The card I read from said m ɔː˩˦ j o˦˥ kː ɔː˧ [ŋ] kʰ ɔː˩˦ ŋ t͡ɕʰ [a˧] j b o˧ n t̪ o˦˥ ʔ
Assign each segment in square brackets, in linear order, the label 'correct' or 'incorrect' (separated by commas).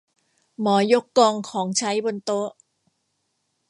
correct, incorrect